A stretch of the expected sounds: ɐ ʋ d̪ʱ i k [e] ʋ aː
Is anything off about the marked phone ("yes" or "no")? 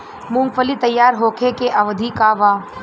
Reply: yes